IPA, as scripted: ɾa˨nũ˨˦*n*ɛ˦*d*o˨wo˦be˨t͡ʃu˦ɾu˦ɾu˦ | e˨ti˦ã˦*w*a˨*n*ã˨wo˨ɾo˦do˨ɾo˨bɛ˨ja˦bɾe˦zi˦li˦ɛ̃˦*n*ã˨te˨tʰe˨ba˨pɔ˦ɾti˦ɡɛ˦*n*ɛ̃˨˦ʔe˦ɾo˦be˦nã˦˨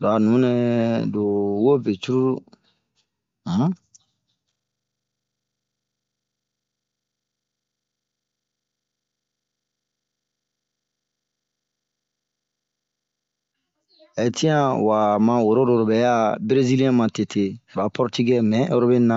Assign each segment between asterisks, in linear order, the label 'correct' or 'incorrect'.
correct, correct, correct, incorrect: m, incorrect: m, incorrect: m

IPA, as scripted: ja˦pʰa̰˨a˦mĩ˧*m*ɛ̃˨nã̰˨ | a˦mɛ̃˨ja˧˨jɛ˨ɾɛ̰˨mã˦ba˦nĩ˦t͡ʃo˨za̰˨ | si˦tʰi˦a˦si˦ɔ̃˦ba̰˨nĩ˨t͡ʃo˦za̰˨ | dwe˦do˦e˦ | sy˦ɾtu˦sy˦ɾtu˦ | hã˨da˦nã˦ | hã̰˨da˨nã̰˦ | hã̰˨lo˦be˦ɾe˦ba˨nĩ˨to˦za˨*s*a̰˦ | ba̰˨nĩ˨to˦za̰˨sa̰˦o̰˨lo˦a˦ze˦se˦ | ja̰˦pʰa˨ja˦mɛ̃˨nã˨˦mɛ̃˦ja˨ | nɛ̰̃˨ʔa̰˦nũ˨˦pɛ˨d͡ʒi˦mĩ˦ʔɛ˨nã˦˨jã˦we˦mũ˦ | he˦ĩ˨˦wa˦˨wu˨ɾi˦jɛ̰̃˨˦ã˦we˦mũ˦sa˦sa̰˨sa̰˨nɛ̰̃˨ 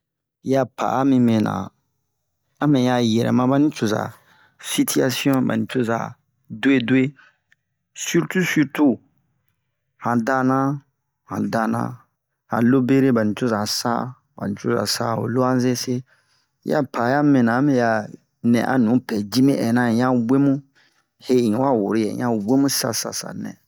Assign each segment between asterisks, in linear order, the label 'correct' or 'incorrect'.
correct, correct

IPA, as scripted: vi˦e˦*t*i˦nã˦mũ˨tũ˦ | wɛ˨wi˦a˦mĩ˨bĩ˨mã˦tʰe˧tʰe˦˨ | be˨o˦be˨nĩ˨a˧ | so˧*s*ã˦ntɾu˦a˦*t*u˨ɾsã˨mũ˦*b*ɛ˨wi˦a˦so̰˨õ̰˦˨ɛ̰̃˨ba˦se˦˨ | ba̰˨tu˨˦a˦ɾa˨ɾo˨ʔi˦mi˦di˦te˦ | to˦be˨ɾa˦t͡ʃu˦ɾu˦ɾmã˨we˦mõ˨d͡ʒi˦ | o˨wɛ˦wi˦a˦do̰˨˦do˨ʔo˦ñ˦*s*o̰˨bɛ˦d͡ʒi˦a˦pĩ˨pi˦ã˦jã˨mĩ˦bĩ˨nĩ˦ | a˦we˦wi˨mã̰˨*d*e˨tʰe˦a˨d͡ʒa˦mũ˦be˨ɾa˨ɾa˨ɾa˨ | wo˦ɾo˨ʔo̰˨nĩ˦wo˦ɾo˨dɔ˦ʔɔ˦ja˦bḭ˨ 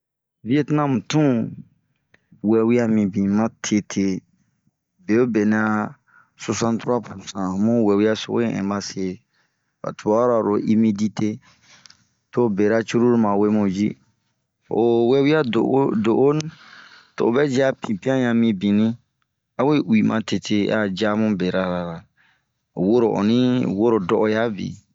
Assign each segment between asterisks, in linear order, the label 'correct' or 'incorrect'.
correct, correct, incorrect: p, incorrect: w, incorrect: t, incorrect: t

